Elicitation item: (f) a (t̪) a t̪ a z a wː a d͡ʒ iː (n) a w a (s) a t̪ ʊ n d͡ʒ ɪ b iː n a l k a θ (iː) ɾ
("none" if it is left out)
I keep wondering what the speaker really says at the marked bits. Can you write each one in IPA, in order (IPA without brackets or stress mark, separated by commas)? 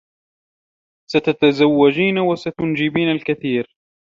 s, t̪, n, s, iː